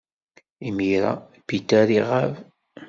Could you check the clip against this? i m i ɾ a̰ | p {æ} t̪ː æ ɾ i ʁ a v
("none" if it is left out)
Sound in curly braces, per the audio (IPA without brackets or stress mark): i